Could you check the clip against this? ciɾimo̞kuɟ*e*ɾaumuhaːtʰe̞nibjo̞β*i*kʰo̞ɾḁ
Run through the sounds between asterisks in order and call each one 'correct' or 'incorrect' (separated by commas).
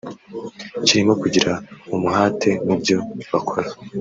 incorrect, incorrect